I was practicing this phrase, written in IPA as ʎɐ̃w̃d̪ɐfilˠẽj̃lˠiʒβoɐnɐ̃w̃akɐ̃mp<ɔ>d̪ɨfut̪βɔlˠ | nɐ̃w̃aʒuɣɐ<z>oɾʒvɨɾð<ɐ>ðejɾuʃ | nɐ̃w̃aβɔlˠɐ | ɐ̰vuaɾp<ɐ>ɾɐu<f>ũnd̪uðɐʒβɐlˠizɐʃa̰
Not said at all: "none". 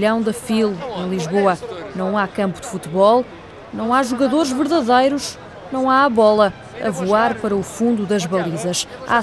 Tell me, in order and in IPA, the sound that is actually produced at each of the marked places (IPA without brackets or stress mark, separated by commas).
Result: u, ð, ɐ, ɐ, f